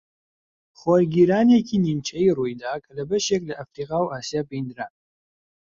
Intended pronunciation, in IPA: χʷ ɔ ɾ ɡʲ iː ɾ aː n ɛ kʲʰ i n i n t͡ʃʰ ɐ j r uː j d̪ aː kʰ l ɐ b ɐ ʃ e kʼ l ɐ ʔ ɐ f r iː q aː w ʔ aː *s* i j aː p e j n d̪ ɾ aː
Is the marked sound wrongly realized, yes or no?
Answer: no